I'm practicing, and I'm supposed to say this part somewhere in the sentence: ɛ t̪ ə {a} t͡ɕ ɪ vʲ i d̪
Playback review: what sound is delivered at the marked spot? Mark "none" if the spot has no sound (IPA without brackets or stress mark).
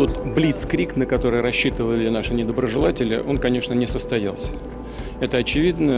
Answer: ɐ